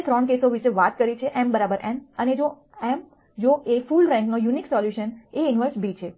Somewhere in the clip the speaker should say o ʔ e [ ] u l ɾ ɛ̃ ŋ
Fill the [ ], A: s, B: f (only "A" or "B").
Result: B